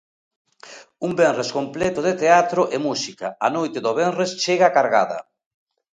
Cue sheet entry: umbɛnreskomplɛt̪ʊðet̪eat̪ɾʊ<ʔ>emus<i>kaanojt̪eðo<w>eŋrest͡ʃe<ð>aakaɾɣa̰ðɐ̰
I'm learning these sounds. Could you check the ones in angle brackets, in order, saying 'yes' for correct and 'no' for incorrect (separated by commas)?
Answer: yes, yes, no, no